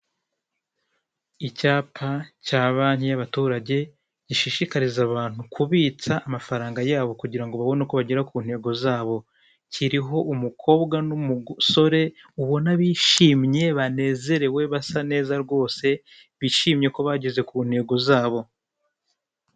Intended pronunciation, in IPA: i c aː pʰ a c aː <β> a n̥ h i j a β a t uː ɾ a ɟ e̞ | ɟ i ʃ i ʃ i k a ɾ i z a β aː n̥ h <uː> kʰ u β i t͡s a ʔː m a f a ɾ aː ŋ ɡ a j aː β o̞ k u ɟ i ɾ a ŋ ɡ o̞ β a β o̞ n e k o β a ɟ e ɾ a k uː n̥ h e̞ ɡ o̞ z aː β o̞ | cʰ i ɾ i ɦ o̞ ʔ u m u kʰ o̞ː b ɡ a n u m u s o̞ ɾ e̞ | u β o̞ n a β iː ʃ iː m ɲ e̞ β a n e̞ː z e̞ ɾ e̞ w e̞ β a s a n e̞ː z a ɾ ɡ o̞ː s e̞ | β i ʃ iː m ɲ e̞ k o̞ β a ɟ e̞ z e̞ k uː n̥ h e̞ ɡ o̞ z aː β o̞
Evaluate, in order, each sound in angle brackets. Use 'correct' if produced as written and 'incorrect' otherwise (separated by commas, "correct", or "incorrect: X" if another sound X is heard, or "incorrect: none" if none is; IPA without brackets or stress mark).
correct, incorrect: u